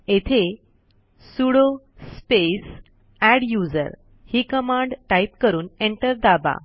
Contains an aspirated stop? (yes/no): yes